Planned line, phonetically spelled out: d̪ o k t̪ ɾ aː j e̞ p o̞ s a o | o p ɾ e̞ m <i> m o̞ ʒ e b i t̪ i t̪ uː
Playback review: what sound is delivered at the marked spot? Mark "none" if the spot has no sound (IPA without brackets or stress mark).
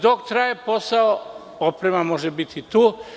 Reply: a